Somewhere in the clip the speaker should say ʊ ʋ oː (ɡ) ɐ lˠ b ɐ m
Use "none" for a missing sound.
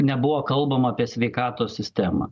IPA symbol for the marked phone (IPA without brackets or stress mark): k